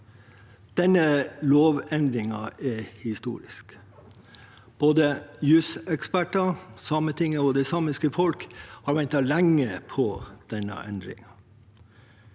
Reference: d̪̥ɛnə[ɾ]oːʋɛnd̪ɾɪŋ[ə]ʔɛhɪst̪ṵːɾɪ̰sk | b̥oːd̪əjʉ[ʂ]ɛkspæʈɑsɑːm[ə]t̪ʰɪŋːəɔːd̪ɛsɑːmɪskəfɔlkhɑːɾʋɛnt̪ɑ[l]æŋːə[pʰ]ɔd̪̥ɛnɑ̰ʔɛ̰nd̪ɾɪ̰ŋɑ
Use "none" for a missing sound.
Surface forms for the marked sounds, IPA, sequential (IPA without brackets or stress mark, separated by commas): l, ɑ, s, ə, l, pʰ